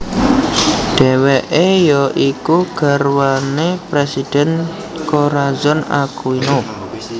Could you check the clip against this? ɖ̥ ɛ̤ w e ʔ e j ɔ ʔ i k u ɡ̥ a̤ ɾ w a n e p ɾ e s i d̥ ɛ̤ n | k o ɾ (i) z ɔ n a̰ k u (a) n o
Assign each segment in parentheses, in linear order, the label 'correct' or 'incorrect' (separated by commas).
incorrect, incorrect